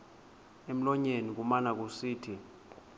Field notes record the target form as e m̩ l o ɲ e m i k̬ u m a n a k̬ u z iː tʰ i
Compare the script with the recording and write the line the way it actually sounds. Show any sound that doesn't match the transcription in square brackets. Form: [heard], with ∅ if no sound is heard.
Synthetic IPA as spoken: e m̩ l [ɔ] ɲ e [n] i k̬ u m a n a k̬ u [s] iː tʰ i